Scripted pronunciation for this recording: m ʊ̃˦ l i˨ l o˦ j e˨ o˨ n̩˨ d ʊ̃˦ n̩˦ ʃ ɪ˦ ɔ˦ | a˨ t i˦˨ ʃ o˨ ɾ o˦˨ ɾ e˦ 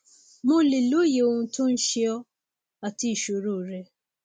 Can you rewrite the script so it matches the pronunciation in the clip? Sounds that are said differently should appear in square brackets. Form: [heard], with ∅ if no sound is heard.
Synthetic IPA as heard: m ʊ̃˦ l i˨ l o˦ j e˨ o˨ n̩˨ [t] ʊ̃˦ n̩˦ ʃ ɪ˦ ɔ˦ | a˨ t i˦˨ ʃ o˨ ɾ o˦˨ ɾ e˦